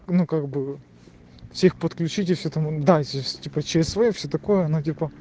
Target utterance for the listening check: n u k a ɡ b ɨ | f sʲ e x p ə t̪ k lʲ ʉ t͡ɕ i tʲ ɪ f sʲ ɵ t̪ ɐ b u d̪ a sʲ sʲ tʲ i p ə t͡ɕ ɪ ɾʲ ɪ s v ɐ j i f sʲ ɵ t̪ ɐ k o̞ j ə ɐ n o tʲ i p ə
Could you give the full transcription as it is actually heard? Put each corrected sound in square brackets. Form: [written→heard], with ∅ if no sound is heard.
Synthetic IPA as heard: n u k a ɡ b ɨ | f sʲ e x p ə t̪ k lʲ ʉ t͡ɕ i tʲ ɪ f sʲ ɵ t̪ ɐ [b→m] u d̪ a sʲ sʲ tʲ i p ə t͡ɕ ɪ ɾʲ ɪ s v ɐ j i f sʲ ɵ t̪ ɐ k o̞ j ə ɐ n o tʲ i p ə